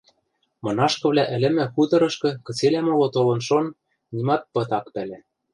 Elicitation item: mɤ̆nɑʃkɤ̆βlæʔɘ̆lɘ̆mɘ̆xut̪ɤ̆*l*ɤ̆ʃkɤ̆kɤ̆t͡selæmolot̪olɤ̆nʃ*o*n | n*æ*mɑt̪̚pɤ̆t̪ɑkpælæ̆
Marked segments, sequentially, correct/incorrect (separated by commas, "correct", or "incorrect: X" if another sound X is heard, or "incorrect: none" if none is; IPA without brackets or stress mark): incorrect: ɾ, correct, incorrect: i